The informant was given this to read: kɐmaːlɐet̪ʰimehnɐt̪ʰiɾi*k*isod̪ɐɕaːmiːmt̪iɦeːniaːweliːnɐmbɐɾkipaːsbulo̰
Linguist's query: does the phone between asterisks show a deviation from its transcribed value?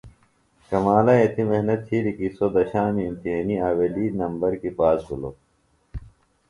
no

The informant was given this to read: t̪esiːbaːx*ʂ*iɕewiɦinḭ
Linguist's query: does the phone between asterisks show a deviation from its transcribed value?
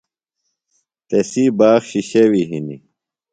yes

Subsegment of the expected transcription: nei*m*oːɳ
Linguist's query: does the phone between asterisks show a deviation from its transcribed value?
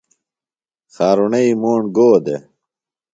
no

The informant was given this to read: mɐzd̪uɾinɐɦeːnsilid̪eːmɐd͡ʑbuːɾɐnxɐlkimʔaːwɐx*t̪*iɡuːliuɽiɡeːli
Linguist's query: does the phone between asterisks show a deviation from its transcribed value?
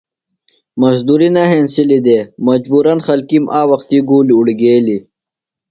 no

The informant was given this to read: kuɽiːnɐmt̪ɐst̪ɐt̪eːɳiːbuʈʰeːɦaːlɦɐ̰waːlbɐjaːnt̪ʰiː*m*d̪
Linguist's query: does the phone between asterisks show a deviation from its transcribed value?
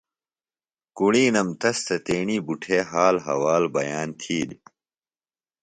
yes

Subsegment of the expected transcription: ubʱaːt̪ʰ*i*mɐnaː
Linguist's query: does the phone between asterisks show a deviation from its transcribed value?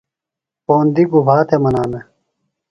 yes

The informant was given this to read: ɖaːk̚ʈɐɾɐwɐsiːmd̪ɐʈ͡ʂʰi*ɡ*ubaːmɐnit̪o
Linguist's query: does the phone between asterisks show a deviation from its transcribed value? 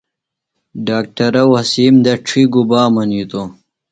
no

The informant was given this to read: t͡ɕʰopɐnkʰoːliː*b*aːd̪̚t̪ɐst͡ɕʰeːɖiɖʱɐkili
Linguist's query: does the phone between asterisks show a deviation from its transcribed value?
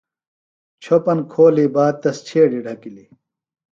no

